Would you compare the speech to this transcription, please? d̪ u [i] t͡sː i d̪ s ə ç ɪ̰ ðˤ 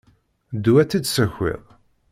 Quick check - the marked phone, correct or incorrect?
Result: incorrect